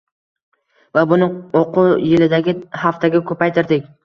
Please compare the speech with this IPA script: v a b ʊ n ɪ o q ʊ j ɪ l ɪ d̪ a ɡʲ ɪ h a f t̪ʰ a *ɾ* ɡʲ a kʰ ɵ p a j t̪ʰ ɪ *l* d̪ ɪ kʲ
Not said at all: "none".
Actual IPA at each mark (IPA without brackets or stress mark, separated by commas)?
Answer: none, ɾ